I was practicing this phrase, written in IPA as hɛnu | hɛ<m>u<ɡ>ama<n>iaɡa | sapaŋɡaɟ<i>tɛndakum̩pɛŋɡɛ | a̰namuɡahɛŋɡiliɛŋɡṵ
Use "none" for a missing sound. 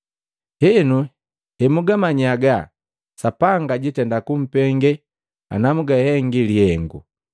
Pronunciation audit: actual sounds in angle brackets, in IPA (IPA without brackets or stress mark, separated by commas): m, ɡ, ɲ, i